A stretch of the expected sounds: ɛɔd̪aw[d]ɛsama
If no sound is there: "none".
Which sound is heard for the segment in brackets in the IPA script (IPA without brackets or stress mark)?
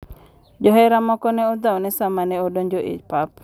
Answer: n